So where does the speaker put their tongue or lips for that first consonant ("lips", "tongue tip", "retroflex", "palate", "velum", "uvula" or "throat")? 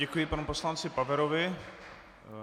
velum